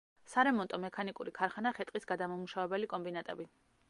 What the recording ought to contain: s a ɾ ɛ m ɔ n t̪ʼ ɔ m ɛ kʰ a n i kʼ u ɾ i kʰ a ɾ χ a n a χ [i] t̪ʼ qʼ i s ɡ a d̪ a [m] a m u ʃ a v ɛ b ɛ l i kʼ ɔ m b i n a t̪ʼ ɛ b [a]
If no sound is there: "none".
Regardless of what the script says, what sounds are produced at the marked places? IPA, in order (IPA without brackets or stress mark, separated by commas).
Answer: ɛ, m, i